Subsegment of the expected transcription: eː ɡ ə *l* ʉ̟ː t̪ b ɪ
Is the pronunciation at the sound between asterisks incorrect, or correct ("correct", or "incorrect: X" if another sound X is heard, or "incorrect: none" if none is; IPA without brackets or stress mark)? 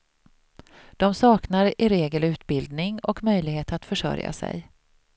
correct